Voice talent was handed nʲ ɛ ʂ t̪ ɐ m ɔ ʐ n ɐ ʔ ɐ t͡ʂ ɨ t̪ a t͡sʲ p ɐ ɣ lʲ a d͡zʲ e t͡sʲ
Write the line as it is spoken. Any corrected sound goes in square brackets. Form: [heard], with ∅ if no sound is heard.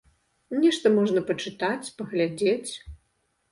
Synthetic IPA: nʲ ɛ ʂ t̪ ɐ m ɔ ʐ n ɐ [p] ɐ t͡ʂ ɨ t̪ a t͡sʲ p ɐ ɣ lʲ a d͡zʲ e t͡sʲ